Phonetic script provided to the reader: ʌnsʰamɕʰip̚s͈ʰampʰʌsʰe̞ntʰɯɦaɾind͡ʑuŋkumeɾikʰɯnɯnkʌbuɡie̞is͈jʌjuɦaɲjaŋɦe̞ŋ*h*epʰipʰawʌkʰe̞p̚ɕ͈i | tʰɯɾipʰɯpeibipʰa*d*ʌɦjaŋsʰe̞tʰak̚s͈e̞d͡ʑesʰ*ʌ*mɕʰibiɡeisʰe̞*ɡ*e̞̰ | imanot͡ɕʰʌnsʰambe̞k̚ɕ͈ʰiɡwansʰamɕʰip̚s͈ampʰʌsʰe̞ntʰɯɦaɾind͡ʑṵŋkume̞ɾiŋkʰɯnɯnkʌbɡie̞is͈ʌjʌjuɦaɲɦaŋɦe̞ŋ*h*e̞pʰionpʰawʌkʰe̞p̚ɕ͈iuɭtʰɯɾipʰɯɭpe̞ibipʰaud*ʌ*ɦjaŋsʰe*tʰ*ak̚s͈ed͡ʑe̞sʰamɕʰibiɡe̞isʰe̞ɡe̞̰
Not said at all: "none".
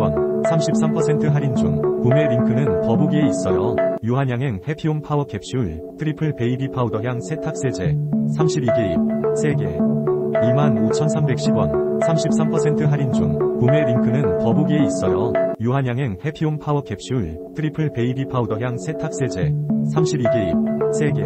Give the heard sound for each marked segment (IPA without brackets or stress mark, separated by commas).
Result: h, d, a, ɡ, h, ʌ, tʰ